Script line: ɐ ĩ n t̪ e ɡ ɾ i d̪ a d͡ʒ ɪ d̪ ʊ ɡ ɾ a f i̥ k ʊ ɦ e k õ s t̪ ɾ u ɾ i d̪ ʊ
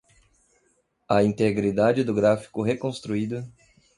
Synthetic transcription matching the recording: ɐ ĩ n t̪ e ɡ ɾ i d̪ a d͡ʒ ɪ d̪ ʊ ɡ ɾ a f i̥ k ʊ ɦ e k õ s t̪ ɾ u i d̪ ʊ